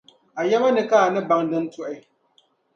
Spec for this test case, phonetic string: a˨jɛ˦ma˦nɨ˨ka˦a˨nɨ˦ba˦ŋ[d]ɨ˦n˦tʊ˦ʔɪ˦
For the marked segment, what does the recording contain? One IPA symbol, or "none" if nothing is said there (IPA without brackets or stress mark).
d